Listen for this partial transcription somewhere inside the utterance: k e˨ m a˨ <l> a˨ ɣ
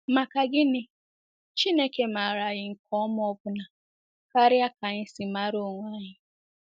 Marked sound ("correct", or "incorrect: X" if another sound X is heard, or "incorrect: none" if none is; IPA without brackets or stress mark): incorrect: ɾ